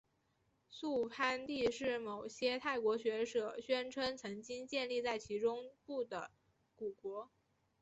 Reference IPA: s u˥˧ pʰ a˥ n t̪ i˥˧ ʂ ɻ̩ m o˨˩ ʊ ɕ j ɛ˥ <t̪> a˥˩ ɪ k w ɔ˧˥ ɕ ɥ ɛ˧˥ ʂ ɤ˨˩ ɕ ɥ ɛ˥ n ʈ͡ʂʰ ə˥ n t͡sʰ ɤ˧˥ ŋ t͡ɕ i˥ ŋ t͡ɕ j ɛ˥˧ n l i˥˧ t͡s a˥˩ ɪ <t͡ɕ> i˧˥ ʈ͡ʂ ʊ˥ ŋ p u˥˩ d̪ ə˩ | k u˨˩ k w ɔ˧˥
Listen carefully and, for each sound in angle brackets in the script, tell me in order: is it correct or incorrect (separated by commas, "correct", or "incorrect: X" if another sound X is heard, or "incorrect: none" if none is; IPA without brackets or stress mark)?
incorrect: t̪ʰ, incorrect: t͡ɕʰ